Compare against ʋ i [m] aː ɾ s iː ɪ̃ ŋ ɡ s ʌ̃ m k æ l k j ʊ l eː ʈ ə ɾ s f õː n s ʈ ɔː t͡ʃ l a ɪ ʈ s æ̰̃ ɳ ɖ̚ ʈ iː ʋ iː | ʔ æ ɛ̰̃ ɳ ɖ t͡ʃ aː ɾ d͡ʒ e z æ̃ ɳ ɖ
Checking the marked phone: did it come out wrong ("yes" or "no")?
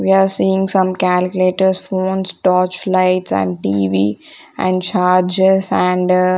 yes